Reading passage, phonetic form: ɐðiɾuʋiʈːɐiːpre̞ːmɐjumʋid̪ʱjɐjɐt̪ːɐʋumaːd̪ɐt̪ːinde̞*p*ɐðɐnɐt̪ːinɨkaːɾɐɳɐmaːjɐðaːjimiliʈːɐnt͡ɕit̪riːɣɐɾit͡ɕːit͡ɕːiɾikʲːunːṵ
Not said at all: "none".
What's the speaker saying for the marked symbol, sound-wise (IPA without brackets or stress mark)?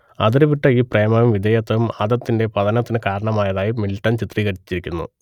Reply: p